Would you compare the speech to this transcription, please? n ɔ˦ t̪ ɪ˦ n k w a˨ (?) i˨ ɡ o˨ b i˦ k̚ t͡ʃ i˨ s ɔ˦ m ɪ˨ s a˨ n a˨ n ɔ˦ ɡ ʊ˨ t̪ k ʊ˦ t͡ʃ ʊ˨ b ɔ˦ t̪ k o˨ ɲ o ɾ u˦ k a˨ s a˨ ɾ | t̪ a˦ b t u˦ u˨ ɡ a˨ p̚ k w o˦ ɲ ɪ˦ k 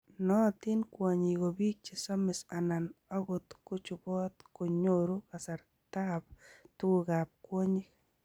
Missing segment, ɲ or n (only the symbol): ɲ